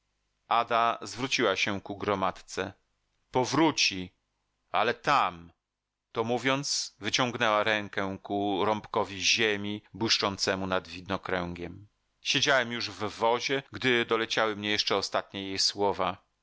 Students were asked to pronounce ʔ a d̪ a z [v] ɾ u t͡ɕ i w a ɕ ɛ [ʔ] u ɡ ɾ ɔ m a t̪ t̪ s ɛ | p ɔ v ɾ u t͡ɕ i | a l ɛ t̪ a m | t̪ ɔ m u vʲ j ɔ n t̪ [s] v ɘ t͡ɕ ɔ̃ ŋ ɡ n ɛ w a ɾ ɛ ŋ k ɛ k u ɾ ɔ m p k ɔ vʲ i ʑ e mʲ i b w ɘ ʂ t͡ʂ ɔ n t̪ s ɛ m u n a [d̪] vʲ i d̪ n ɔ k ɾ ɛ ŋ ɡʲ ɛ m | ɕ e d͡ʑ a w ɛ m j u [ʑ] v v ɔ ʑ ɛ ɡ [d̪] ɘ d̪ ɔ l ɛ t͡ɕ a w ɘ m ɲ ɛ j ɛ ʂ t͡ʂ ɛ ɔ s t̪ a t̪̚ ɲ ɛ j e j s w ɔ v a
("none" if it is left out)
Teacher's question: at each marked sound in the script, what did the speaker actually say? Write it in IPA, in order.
v, k, s, d̪, ʐ, d̪

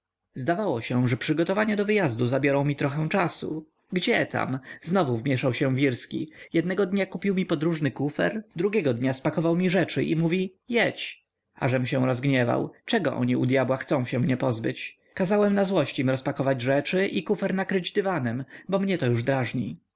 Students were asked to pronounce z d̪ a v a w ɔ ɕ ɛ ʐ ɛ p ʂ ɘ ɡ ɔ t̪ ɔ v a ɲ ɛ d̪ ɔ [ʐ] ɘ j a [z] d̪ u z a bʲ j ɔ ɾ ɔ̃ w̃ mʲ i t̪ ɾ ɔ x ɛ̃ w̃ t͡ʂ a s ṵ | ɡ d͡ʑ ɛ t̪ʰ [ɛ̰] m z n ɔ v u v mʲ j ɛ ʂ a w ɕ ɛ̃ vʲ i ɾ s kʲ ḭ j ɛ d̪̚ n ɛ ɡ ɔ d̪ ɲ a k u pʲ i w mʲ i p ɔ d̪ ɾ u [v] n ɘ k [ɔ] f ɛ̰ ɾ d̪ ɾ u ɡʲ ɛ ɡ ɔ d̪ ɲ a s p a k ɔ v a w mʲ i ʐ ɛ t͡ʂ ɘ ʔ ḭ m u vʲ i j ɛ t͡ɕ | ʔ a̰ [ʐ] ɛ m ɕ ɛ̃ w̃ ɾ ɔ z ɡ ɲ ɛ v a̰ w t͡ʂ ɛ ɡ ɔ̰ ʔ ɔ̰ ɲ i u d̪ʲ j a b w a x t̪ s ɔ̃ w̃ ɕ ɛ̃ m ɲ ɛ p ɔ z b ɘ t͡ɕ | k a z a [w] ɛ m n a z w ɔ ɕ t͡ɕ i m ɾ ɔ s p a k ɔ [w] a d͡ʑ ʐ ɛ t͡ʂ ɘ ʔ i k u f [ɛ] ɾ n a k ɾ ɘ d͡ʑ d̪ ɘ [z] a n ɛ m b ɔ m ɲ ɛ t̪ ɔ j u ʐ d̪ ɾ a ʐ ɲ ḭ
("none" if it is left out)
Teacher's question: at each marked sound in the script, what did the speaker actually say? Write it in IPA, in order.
v, z, a̰, ʐ, u, ʐ, w, v, ɛ, v

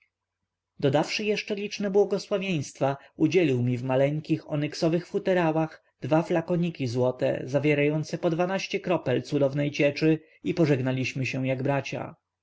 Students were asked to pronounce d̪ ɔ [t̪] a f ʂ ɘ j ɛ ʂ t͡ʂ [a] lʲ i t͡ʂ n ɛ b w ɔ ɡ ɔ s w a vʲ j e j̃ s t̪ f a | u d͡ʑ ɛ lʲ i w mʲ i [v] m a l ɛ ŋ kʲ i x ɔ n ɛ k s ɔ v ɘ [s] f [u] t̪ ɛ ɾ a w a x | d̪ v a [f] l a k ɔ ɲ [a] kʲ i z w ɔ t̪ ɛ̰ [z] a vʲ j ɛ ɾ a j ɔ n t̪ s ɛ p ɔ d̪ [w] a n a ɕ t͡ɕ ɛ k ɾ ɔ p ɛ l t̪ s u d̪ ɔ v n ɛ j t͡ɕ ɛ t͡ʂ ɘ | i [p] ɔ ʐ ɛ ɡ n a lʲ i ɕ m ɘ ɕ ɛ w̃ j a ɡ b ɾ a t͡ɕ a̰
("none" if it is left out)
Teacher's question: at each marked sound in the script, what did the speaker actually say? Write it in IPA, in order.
d̪, ɛ, v, x, u, f, i, z, v, p

